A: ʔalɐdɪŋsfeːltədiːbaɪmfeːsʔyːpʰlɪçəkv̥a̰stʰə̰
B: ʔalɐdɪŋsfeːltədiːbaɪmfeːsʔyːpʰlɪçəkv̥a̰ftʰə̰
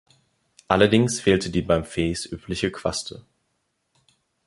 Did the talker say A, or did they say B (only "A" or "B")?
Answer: A